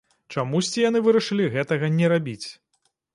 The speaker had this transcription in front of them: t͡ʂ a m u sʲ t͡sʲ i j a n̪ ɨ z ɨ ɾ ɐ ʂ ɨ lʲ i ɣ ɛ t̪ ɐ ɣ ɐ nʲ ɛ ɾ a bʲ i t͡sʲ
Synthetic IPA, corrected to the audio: t͡ʂ a m u sʲ t͡sʲ i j a n̪ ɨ v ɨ ɾ ɐ ʂ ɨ lʲ i ɣ ɛ t̪ ɐ ɣ ɐ nʲ ɛ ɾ a bʲ i t͡sʲ